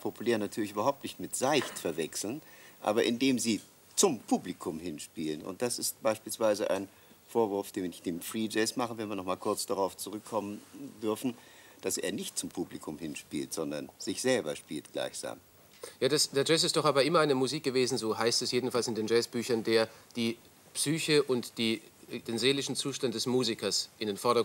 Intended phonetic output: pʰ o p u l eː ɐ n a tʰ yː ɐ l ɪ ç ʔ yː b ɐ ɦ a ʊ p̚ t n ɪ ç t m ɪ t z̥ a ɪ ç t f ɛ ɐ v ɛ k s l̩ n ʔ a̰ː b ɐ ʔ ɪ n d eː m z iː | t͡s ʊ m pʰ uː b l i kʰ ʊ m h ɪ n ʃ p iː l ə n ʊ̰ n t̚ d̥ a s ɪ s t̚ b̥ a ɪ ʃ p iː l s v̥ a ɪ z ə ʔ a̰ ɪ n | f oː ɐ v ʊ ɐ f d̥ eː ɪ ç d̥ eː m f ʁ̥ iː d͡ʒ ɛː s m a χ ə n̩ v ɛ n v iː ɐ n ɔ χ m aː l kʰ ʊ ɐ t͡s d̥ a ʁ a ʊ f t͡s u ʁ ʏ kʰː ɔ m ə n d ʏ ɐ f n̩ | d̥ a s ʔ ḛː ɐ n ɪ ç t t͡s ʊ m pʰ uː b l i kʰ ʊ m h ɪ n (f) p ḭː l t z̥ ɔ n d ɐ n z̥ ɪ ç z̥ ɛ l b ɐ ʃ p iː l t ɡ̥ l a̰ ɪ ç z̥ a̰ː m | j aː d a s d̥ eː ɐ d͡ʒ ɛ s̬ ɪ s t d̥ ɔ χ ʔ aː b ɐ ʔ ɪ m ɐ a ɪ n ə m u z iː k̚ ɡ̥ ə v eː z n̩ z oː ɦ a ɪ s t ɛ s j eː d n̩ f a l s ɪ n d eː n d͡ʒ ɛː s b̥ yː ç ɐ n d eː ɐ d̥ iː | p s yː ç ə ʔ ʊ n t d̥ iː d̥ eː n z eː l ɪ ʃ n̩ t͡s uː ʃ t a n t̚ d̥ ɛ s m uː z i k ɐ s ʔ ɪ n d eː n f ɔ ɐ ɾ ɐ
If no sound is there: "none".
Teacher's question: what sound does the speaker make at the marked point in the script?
ʃ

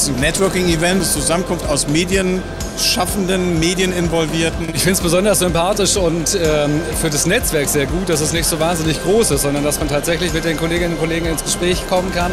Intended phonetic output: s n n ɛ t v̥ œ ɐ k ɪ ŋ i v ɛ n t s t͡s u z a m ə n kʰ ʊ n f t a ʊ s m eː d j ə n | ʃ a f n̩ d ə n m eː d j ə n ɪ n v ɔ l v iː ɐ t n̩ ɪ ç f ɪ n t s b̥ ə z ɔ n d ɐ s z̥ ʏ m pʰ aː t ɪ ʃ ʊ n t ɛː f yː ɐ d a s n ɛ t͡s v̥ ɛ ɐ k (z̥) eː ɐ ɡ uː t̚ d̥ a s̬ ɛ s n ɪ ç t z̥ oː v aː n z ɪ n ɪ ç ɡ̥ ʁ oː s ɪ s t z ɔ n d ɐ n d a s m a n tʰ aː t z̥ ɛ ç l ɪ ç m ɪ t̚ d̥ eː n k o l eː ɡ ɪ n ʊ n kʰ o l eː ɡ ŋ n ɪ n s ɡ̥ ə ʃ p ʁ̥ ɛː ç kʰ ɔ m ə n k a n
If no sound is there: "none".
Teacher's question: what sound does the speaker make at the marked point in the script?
z̥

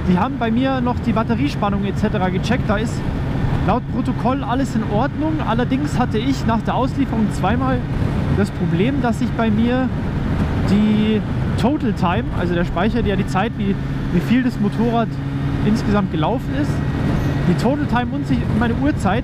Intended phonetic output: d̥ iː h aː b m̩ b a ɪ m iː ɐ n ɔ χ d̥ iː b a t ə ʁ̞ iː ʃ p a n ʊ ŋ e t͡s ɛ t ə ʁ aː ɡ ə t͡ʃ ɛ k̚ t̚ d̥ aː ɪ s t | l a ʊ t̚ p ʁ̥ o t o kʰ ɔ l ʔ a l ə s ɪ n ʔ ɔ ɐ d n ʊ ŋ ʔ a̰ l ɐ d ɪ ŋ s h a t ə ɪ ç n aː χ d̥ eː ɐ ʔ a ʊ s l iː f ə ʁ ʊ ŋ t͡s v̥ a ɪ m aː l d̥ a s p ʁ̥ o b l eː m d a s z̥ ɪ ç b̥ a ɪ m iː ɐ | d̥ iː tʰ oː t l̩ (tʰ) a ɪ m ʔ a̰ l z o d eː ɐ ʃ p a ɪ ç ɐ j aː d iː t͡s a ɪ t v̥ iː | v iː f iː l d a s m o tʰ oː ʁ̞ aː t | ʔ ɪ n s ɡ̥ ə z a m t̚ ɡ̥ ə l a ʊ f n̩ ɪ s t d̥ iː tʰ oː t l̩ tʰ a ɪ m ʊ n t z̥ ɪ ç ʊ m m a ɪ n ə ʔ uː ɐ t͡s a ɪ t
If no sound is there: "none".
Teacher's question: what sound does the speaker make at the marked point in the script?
tʰ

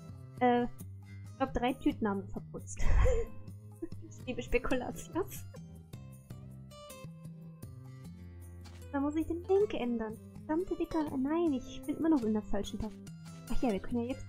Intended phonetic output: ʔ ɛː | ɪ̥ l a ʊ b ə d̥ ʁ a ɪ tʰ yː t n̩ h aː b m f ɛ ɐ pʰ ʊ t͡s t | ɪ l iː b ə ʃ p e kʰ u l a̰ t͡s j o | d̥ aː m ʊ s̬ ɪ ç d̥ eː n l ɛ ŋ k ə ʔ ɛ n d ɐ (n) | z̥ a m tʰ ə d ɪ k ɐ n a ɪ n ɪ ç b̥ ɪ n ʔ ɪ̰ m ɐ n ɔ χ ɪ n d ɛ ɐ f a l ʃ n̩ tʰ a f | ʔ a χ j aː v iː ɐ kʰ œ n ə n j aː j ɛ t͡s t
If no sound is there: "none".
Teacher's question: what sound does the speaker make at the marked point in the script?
n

